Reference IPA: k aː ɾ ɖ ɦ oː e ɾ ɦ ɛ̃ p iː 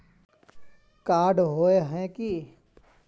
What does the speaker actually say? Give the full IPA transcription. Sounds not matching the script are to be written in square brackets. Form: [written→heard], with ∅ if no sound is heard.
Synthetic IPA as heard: k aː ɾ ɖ ɦ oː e [ɾ→∅] ɦ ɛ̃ [p→k] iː